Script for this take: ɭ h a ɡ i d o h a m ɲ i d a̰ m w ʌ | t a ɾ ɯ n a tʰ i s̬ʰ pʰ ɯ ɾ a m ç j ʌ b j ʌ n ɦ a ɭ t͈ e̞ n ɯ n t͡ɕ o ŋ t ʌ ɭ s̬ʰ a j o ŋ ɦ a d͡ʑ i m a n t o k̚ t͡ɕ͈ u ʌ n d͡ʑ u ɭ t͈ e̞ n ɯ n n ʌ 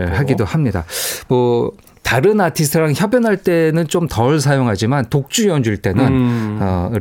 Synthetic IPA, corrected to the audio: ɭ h a ɡ i d o h a m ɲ i d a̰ m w ʌ | t a ɾ ɯ n a tʰ i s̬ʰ tʰ ɯ ɾ a ŋ ç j ʌ b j ʌ n ɦ a ɭ t͈ e̞ n ɯ n t͡ɕ o m t ʌ ɭ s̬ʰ a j o ŋ ɦ a d͡ʑ i m a n t o k̚ t͡ɕ͈ u ʌ n d͡ʑ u ɭ t͈ e̞ n ɯ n n ʌ